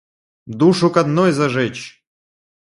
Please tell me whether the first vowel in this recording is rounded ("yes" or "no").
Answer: yes